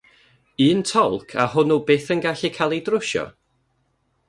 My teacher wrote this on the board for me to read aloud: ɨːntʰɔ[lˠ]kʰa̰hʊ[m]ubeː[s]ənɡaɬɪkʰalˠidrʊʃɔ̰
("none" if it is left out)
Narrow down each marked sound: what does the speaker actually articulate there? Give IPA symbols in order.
lˠ, n, θ

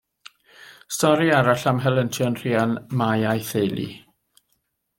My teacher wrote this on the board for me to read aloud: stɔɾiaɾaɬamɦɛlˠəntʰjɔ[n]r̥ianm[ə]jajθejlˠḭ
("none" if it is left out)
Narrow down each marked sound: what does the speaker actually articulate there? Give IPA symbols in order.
n, a

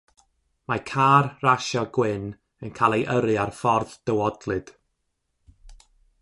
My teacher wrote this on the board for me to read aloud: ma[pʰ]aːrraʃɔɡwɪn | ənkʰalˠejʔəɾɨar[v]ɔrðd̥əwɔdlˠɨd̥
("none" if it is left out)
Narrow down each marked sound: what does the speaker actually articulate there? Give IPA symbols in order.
kʰ, f

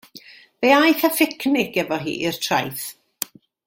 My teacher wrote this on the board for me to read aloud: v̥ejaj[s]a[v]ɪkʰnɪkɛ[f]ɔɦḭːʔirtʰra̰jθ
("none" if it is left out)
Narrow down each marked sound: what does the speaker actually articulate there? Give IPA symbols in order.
θ, f, v

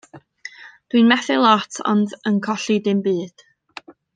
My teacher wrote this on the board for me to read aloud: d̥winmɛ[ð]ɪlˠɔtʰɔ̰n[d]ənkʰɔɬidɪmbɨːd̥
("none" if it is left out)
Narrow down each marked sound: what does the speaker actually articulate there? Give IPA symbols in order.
θ, d

